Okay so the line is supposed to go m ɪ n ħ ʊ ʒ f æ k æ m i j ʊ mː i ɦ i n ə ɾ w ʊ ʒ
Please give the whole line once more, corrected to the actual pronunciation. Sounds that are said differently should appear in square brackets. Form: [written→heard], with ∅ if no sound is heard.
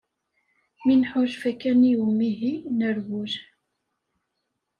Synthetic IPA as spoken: m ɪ n ħ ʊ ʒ f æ k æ [m→n] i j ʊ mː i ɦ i n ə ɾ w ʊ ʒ